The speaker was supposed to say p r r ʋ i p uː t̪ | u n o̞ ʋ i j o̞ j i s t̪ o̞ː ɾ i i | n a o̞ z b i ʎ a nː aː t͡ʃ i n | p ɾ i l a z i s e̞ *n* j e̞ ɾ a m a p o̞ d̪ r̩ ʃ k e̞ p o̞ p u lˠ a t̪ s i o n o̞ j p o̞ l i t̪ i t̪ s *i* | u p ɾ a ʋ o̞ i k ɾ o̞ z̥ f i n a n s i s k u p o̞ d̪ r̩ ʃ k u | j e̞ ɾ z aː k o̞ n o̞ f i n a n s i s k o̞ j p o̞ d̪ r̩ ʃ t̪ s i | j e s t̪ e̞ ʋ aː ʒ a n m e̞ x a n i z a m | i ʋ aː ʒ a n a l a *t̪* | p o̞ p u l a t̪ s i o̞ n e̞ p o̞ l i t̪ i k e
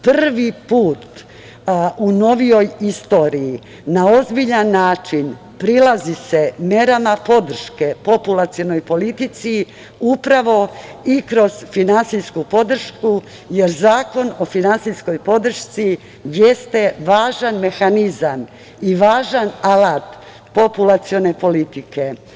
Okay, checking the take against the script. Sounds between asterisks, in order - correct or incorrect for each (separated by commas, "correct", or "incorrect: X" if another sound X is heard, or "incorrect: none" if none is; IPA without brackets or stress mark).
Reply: incorrect: m, correct, correct